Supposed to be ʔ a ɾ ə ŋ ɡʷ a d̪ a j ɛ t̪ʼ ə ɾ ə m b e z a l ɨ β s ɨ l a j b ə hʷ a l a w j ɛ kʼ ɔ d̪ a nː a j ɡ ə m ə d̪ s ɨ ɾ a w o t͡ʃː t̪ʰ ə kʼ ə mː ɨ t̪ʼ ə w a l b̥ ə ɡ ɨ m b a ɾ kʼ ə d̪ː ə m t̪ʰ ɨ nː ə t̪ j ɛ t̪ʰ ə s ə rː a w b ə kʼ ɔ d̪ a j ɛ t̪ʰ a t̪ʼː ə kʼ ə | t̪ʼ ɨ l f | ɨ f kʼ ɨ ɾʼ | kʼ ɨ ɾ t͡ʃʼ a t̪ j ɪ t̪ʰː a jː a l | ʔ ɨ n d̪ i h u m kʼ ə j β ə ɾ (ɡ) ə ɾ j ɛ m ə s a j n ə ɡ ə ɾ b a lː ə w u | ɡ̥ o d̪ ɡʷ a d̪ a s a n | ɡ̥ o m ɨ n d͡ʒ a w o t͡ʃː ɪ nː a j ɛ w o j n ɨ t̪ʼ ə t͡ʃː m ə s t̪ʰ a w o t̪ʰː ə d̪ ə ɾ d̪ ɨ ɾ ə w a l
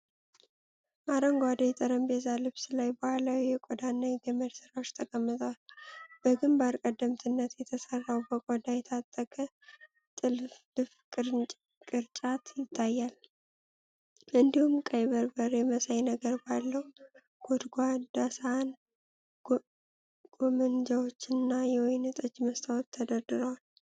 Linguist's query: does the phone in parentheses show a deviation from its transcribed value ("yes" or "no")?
yes